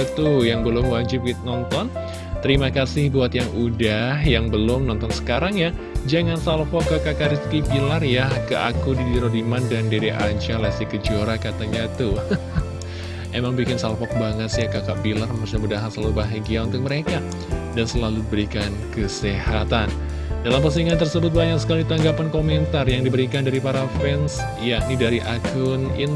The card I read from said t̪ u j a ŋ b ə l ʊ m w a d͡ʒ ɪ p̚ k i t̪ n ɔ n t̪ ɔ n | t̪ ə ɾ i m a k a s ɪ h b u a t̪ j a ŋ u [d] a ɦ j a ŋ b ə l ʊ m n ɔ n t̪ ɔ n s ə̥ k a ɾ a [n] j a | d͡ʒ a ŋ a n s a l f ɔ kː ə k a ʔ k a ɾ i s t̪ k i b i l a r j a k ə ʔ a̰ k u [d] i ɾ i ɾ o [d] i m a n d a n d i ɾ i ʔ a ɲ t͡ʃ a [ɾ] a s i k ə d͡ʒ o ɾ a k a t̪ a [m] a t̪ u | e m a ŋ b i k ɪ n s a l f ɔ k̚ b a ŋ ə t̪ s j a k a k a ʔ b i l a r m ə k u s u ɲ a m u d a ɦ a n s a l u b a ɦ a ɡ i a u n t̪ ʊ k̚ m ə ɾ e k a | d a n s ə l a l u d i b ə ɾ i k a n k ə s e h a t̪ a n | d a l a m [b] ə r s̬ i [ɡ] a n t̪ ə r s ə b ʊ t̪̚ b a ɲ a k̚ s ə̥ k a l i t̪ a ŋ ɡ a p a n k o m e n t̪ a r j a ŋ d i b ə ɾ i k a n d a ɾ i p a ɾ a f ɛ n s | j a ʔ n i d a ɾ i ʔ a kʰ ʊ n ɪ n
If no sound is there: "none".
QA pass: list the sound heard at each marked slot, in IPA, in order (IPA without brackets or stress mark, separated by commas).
d, ŋ, d, d, l, ɲ, p, ŋ